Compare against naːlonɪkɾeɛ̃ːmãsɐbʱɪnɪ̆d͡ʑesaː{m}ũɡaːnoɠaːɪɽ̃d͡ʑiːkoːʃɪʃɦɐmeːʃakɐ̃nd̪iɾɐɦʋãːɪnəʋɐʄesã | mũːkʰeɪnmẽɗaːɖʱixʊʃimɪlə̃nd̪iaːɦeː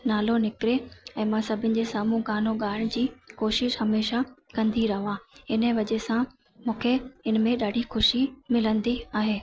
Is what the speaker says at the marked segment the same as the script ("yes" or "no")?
yes